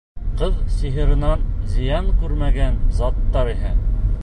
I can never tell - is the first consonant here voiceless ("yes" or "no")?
yes